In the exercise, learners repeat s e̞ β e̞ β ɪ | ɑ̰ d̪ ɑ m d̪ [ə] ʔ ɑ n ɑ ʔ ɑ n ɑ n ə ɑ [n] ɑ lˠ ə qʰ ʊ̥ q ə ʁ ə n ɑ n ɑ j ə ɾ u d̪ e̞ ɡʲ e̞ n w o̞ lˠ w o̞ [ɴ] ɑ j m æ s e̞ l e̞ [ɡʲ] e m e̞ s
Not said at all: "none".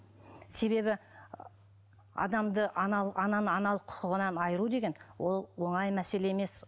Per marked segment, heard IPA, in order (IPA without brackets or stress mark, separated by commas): ə, n, ɴ, none